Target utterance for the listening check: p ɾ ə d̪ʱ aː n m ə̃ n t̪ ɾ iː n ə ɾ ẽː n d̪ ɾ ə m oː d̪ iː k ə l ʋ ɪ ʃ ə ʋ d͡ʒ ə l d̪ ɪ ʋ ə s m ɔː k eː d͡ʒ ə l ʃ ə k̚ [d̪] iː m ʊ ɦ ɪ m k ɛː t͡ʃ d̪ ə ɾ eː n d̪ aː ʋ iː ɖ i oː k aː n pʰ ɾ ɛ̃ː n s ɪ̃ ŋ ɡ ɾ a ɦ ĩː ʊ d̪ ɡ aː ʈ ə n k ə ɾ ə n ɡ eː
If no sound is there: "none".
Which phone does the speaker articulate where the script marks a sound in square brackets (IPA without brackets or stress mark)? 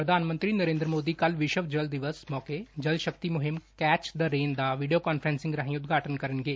t̪